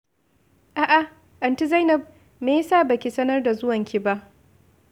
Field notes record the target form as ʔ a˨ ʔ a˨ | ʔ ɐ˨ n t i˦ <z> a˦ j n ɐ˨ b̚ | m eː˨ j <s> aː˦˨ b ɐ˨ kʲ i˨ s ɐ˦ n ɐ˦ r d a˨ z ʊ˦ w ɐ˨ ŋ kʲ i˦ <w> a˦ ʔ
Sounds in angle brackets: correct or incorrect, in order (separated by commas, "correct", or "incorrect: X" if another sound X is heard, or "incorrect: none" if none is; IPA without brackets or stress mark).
correct, correct, incorrect: b